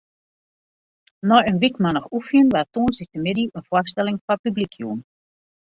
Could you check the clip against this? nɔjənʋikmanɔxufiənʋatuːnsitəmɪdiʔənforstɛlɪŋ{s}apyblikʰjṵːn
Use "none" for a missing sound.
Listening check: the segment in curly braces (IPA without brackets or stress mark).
f